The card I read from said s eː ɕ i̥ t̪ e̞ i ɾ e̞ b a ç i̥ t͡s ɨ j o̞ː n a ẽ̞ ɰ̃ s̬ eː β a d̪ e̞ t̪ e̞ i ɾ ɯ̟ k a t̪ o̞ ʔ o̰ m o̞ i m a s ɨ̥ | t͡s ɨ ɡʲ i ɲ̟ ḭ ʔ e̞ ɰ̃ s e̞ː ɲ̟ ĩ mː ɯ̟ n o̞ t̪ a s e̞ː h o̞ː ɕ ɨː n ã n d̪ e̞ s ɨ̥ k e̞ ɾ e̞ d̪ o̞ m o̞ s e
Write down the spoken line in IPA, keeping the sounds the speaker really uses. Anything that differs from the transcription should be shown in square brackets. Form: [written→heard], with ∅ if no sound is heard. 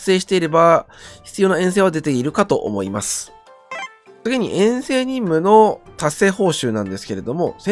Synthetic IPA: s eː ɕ i̥ t̪ e̞ i ɾ e̞ b a ç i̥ t͡s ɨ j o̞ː n a ẽ̞ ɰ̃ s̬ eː β a d̪ e̞ t̪ e̞ i ɾ ɯ̟ k a t̪ o̞ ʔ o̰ m o̞ i m a s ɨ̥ | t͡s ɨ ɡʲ i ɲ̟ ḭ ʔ [e̞→ẽ̞] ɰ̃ s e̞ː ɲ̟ ĩ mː ɯ̟ n o̞ t̪ a s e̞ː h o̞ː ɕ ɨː n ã n d̪ e̞ s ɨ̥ k e̞ ɾ e̞ d̪ o̞ m o̞ s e